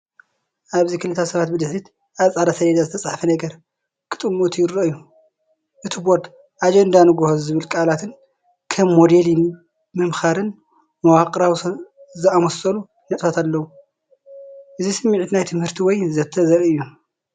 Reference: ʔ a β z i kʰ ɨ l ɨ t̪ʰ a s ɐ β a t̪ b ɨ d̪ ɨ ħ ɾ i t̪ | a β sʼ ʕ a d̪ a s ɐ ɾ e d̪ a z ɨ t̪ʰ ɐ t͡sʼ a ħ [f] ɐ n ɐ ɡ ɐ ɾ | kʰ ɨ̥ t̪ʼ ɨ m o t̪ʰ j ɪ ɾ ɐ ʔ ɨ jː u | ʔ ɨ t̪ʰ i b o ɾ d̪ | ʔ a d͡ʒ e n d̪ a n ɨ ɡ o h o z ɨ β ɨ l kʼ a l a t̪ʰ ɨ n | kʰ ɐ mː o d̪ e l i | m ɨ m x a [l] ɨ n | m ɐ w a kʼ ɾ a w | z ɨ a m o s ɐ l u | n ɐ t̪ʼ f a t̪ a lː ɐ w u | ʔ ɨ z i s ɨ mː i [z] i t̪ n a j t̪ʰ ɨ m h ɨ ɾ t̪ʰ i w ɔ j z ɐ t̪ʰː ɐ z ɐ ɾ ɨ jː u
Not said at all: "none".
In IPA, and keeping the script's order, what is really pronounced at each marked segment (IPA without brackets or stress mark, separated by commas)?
f, ɾ, ʕ